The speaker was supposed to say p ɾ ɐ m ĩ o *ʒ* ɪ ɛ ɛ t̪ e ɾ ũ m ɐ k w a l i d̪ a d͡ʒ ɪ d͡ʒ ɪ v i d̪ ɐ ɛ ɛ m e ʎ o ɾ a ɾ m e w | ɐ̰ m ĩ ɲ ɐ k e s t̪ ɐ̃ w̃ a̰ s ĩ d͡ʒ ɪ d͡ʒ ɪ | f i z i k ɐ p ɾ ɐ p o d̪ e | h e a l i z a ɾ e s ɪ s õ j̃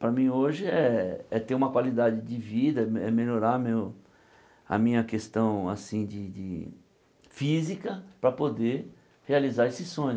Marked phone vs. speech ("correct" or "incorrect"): correct